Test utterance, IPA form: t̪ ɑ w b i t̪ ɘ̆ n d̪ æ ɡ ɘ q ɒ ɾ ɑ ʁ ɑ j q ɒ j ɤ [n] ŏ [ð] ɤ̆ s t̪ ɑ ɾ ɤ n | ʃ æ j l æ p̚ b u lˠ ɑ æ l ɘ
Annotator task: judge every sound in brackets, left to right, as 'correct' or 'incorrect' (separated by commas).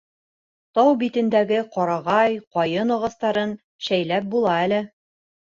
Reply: correct, incorrect